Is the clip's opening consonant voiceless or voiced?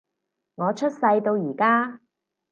voiced